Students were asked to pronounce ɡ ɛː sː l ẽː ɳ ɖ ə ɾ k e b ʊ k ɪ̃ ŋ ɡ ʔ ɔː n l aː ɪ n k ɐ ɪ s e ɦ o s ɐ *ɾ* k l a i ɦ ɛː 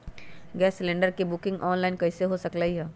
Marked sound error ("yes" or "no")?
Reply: yes